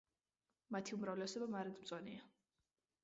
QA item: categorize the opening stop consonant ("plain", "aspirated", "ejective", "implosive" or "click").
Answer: aspirated